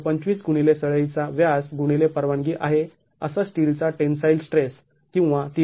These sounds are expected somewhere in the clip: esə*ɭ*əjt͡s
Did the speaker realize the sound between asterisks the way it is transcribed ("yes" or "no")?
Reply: yes